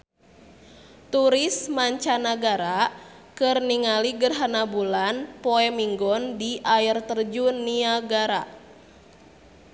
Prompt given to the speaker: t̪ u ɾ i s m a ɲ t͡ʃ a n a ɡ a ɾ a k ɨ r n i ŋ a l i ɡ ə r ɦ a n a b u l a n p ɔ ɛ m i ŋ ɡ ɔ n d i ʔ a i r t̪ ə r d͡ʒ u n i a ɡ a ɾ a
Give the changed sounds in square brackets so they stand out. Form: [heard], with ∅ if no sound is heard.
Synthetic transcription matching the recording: t̪ u ɾ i s m a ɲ t͡ʃ a n a ɡ a ɾ a k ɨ r n i ŋ a l i ɡ ə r ɦ a n a b u l a n p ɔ ɛ m i ŋ ɡ ɔ n d i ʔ a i r t̪ ə r d͡ʒ u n i a ɡ a ɾ a